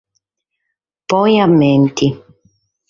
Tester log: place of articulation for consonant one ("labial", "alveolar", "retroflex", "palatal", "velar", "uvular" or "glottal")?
labial